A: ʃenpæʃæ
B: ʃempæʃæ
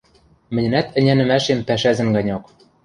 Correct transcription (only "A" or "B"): B